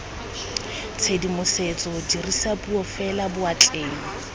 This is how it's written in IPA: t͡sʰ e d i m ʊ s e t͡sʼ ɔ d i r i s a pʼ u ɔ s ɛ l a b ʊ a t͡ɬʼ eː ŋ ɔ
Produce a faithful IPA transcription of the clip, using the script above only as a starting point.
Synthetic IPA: t͡sʰ e d i m ʊ s e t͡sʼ ɔ d i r i s a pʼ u ɔ f ɛ l a b ʊ a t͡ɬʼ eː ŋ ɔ